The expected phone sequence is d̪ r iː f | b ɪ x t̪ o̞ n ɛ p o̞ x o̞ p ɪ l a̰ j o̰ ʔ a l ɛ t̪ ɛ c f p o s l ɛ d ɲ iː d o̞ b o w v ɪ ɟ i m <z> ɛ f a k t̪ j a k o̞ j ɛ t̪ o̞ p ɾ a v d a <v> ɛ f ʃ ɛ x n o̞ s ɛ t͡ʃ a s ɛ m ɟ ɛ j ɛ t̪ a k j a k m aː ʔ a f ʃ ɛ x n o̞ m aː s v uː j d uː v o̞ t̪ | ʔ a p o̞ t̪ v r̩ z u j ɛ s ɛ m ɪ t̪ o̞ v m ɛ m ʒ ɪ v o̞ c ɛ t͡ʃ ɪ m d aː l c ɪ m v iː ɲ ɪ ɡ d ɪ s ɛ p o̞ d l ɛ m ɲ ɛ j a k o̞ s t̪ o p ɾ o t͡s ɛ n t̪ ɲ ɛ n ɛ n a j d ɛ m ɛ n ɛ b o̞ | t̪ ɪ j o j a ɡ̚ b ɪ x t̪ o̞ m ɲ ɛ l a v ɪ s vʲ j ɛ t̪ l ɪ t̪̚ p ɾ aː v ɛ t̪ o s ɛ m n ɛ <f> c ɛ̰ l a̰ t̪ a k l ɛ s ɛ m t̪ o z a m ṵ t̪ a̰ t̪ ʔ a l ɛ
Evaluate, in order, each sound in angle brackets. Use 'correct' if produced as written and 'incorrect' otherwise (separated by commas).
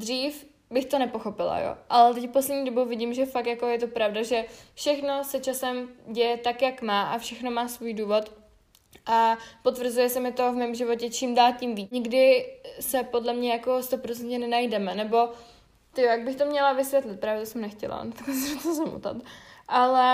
incorrect, incorrect, incorrect